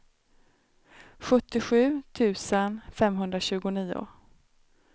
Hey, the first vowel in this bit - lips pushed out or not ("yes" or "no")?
yes